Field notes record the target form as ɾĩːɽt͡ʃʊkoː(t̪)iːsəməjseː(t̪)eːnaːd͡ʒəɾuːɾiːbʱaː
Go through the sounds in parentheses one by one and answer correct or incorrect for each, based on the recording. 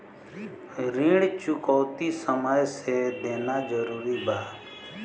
correct, incorrect: d̪

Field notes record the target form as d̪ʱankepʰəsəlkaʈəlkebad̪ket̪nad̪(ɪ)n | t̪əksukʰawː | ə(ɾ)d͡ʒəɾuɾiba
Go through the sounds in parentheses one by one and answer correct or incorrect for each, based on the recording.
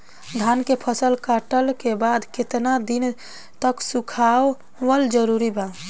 incorrect: i, incorrect: l

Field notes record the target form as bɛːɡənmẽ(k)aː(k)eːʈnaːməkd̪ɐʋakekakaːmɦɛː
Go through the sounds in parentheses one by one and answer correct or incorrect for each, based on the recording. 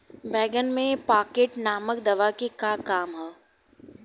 incorrect: p, correct

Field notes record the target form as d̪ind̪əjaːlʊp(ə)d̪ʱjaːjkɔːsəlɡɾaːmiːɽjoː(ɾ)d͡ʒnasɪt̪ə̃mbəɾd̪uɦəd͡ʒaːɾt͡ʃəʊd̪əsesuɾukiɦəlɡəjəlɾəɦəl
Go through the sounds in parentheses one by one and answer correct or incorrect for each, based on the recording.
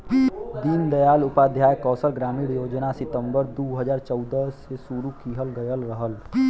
incorrect: a, incorrect: none

